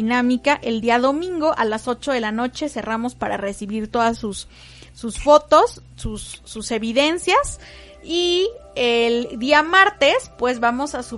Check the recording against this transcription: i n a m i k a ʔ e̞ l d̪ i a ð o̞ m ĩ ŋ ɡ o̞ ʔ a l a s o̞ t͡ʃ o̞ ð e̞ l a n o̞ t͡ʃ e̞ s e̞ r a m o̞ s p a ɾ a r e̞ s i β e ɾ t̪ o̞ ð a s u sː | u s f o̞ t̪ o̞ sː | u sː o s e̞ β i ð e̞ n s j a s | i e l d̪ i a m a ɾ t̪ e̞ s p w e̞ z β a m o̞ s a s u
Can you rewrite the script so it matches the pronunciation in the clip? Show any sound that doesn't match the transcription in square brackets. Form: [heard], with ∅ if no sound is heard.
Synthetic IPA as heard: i n a m i k a ʔ e̞ l d̪ i a ð o̞ m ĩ ŋ ɡ o̞ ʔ a l a s o̞ t͡ʃ o̞ ð e̞ l a n o̞ t͡ʃ e̞ s e̞ r a m o̞ s p a ɾ a r e̞ s i β [i] ɾ t̪ o̞ ð a s u sː | u s f o̞ t̪ o̞ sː | u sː [u] s e̞ β i ð e̞ n s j a s | i e l d̪ i a m a ɾ t̪ e̞ s p w e̞ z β a m o̞ s a s u